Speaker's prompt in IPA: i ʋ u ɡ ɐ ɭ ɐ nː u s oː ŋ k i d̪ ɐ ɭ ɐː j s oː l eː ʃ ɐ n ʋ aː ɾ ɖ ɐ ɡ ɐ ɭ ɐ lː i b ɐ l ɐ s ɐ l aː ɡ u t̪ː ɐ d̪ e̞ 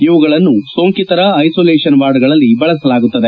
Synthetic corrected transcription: i ʋ u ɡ ɐ ɭ ɐ nː u s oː ŋ k i t̪ ɐ ɾ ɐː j s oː l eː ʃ ɐ n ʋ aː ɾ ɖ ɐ ɡ ɐ ɭ ɐ lː i b ɐ ɭ ɐ s ɐ l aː ɡ u t̪ː ɐ d̪ e̞